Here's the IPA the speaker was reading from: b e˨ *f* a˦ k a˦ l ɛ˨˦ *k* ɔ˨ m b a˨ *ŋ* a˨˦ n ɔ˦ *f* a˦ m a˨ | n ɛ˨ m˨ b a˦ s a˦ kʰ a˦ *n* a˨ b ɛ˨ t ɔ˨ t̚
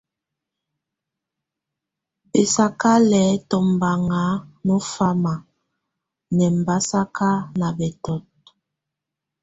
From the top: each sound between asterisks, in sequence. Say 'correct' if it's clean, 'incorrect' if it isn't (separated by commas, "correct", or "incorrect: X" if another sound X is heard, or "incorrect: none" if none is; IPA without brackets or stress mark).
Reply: incorrect: s, incorrect: t, correct, correct, correct